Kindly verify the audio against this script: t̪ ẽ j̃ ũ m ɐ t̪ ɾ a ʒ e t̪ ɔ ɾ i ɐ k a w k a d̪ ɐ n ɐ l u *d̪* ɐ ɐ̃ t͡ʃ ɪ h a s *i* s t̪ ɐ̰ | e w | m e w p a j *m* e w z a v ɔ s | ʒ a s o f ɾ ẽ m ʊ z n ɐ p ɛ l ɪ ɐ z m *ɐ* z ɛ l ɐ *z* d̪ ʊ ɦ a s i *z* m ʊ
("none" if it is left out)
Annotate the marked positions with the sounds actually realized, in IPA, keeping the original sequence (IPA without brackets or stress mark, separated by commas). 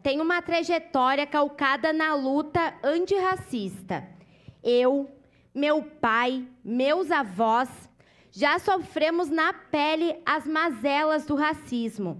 t̪, i, m, a, z, z